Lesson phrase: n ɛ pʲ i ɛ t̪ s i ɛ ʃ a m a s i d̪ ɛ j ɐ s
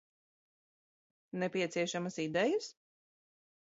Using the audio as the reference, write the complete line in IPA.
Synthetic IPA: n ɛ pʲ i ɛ t̪ s i ɛ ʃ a m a s i d̪ ɛ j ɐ s